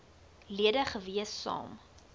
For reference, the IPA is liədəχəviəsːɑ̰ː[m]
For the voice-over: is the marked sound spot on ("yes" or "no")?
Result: yes